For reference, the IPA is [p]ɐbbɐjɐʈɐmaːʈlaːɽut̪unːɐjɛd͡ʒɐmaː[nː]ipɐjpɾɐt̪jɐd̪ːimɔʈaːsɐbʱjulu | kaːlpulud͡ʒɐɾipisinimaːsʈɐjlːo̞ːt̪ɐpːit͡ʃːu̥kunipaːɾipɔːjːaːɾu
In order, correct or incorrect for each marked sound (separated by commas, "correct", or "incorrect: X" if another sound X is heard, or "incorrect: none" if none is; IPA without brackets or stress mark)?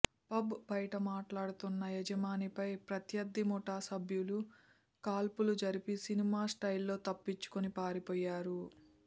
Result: correct, incorrect: n